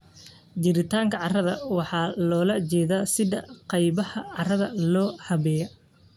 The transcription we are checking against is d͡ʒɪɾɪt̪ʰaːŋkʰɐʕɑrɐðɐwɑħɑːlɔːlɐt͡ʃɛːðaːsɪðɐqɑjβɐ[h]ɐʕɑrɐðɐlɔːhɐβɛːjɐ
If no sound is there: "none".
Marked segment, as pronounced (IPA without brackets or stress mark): h